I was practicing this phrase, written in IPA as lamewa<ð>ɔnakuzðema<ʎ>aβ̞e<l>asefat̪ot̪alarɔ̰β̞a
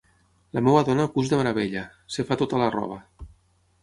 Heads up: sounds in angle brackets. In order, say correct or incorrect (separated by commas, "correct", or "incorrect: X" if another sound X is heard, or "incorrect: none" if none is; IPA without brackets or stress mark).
correct, incorrect: ɾ, incorrect: ʎ